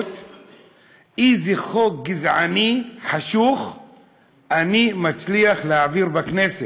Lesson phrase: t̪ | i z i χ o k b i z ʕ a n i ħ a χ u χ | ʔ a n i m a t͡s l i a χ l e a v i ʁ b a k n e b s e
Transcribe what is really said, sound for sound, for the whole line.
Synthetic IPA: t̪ | i z i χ o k ɡ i z ʕ a n i ħ a ʃ u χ | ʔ a n i m a t͡s l i a χ l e a v i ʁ b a k n e s e